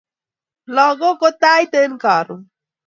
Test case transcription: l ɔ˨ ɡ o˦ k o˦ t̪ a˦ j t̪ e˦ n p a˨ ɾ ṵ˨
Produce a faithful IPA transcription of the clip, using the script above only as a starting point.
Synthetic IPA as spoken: l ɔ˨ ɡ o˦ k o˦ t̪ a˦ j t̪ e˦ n k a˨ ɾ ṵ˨

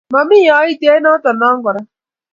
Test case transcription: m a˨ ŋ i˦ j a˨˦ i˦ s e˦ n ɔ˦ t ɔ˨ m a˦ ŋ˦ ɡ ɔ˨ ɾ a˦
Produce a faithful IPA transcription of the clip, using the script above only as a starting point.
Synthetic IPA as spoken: m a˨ m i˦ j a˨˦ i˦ t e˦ n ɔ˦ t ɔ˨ n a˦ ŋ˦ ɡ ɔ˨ ɾ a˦

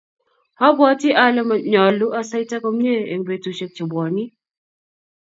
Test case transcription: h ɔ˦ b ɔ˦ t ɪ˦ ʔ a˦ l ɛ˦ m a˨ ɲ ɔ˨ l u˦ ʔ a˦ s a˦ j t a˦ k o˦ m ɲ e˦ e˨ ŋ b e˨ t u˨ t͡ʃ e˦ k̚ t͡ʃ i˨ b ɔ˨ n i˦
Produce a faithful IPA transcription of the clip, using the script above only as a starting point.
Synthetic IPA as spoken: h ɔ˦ b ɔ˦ t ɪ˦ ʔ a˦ l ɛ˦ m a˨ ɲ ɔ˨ l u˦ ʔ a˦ s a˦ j t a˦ k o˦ m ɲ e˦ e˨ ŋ b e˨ t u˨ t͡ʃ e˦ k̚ t͡ʃ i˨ b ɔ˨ n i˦

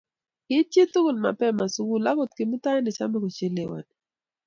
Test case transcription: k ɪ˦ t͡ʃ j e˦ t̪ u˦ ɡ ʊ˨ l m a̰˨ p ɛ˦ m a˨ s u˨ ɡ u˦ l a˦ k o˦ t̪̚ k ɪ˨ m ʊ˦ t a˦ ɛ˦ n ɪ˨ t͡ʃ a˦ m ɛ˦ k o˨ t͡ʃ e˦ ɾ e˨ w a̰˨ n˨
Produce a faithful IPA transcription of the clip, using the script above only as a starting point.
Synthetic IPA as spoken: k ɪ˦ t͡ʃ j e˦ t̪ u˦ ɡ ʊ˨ l m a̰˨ p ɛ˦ m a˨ s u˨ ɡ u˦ l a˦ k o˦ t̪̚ k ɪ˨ m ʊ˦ t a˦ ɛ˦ n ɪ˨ t͡ʃ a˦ m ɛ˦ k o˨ t͡ʃ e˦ l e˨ w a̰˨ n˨

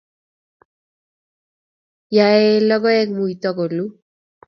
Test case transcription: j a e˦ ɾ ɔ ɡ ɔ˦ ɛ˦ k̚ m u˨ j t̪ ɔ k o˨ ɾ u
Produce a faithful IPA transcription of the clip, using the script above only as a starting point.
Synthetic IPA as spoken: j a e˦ l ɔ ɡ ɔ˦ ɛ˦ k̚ m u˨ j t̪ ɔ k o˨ l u

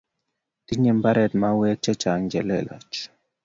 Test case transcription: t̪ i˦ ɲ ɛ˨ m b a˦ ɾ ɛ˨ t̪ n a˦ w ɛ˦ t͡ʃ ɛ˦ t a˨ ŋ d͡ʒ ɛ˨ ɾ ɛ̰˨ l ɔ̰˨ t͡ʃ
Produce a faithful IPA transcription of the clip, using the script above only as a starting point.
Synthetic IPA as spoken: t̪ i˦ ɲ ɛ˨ m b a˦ ɾ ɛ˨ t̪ m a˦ w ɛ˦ t͡ʃ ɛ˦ t͡ʃ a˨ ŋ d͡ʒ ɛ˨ l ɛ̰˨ l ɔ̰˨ t͡ʃ

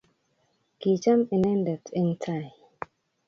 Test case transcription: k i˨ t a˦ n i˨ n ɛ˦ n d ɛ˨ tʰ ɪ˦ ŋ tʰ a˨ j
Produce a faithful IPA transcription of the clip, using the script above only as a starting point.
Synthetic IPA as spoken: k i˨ t͡ʃ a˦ m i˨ n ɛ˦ n d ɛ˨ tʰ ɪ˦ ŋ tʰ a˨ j

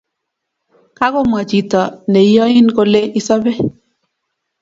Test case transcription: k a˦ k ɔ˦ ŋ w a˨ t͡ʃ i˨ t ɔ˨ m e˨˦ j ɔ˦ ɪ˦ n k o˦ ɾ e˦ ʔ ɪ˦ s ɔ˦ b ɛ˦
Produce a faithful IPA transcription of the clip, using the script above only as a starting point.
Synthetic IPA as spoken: k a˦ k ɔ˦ m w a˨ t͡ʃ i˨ t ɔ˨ n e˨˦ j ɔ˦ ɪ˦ n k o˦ l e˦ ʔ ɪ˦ s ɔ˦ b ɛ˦

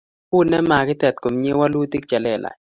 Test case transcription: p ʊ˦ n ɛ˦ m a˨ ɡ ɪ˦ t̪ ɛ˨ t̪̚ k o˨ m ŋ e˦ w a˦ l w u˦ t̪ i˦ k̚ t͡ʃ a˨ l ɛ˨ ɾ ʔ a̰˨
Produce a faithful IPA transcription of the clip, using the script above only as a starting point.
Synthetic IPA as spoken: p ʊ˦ n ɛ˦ m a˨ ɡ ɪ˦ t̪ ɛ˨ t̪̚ k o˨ m ɲ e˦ w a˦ l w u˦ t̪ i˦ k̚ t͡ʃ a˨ l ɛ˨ l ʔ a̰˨

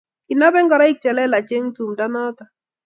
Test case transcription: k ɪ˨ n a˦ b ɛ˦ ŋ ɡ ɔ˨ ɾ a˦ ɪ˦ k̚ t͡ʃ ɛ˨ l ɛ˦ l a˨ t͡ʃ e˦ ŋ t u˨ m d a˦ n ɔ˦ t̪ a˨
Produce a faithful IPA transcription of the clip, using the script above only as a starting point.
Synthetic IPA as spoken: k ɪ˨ n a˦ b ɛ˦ ŋ ɡ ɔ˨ ɾ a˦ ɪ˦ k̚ t͡ʃ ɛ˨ l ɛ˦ l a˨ t͡ʃ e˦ ŋ t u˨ m d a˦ n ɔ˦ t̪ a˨

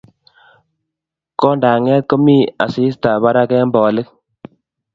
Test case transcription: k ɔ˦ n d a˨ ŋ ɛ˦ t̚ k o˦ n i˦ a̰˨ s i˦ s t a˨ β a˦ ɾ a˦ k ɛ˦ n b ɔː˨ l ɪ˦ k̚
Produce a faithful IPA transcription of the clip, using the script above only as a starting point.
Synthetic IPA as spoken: k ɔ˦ n d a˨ ŋ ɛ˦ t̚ k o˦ m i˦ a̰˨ s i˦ s t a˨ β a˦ ɾ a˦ k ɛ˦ m b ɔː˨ l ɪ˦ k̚

